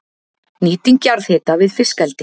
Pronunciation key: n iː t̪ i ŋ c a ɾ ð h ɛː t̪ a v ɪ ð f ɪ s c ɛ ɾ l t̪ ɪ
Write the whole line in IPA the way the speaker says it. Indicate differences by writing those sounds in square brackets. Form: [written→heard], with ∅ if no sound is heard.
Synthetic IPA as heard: n iː t̪ i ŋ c a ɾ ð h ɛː t̪ a v ɪ ð f ɪ s [c→k] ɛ [ɾ→∅] l t̪ ɪ